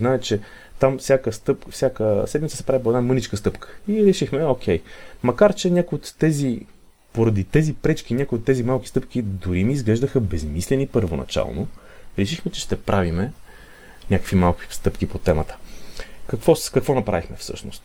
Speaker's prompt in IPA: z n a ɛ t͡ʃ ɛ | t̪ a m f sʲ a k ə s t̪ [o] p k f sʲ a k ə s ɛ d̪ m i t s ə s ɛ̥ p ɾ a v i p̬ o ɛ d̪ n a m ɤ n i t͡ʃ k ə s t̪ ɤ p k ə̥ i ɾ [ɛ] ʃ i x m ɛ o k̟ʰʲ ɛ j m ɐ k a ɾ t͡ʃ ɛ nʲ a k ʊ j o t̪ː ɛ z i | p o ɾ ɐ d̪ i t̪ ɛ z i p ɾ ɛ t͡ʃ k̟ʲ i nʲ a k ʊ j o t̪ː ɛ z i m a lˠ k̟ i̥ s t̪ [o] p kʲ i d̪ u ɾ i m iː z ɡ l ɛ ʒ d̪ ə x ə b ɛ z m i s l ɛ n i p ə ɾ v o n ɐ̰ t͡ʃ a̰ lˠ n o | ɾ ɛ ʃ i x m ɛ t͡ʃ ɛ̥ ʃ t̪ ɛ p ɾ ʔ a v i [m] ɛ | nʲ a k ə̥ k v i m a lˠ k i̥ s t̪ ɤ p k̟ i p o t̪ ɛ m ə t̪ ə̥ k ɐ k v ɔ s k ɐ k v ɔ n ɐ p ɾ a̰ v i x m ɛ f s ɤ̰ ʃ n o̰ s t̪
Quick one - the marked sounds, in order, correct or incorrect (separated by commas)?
incorrect, correct, incorrect, correct